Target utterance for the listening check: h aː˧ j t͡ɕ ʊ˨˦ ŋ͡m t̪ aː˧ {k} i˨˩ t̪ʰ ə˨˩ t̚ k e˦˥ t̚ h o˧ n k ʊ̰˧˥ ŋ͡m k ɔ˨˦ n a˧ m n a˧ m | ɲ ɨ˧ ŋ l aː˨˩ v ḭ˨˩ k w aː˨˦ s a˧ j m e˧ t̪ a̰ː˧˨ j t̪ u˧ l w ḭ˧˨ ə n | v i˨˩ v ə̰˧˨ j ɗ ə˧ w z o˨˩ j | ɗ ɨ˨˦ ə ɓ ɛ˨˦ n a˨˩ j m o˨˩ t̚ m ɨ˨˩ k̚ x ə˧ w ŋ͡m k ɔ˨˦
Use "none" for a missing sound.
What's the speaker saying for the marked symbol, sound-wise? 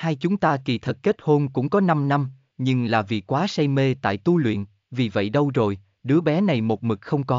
k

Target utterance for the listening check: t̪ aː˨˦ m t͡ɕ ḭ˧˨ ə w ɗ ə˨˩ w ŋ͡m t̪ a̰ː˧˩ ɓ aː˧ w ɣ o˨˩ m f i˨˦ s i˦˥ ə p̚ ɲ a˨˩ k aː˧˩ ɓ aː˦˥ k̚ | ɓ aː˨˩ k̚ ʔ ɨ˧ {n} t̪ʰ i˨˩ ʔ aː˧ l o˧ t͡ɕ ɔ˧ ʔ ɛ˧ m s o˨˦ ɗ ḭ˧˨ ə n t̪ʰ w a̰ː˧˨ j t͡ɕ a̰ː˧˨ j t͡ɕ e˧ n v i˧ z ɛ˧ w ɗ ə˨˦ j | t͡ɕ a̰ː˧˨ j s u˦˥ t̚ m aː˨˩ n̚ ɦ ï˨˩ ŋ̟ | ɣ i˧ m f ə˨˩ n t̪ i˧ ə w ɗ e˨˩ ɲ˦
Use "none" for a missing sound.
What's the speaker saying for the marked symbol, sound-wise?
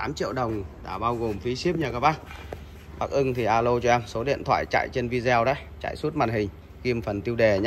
ŋ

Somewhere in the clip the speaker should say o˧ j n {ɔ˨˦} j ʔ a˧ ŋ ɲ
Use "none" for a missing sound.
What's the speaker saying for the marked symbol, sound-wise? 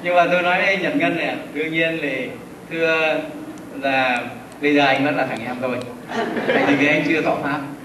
ɔ˨˦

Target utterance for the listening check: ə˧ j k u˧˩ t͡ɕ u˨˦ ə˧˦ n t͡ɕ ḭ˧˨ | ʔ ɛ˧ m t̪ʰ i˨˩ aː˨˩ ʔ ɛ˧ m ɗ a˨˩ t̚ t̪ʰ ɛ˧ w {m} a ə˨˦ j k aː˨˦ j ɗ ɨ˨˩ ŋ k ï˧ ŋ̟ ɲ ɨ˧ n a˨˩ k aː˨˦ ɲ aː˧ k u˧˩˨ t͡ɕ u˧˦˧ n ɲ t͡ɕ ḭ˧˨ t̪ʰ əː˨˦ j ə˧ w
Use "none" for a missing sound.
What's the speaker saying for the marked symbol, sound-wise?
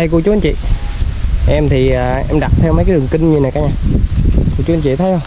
m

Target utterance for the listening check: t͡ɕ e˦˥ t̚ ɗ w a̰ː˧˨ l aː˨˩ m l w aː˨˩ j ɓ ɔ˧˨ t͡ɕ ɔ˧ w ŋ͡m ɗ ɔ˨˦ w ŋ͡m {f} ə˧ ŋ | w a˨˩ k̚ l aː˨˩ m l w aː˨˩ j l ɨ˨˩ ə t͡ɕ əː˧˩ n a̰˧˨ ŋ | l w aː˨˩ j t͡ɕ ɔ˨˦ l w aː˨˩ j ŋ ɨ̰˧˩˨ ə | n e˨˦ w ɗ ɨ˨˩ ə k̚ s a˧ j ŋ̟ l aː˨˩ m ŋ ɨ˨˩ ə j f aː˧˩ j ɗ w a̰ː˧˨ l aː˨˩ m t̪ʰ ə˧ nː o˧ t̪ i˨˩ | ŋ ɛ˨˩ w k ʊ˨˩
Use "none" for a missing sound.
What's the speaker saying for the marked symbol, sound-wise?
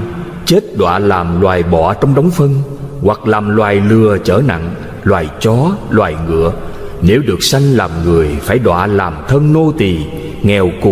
f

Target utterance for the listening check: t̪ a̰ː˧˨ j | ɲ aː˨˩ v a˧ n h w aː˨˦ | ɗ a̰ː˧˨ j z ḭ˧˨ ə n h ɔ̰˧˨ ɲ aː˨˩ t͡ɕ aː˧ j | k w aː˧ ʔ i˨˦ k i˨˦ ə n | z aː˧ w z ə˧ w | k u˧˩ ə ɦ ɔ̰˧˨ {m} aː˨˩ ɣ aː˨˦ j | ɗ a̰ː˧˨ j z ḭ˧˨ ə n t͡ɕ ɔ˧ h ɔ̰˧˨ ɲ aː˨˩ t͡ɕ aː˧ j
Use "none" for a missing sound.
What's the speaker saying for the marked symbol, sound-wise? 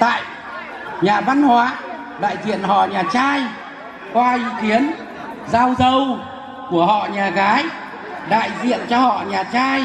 ɲ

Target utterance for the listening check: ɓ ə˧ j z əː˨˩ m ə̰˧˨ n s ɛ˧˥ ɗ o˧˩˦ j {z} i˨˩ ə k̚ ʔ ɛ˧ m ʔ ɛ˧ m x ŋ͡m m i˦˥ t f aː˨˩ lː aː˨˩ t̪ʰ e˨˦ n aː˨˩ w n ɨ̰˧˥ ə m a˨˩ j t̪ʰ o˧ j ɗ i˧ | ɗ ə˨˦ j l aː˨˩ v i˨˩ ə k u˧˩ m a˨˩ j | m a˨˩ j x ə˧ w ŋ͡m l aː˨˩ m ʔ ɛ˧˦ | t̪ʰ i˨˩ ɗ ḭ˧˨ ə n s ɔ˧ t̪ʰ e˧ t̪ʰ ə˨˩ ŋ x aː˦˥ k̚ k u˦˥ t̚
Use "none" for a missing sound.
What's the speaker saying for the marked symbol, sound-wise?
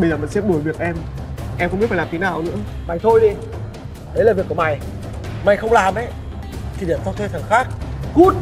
v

